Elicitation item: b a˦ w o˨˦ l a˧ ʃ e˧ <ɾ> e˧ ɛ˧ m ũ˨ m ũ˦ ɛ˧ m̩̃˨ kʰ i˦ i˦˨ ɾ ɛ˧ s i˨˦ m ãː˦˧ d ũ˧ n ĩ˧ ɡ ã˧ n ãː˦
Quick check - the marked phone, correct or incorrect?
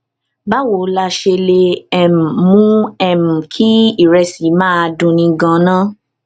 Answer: incorrect